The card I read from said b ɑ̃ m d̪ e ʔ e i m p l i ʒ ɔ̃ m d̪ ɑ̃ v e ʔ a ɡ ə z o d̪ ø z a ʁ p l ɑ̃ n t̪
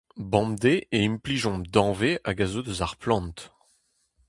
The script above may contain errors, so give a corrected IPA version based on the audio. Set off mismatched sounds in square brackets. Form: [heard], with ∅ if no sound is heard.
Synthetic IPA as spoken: b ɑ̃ m d̪ e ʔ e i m p l i ʒ ɔ̃ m d̪ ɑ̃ v e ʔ a ɡ [a] z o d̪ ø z a ʁ p l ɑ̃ n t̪